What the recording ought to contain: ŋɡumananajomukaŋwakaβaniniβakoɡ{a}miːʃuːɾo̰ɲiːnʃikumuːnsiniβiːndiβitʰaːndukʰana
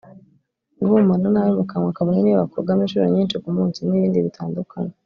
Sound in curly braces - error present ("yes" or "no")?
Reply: no